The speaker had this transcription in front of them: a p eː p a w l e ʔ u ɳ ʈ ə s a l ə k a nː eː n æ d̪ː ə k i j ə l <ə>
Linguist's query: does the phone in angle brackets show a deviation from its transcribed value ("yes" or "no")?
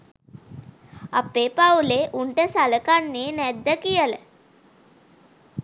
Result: no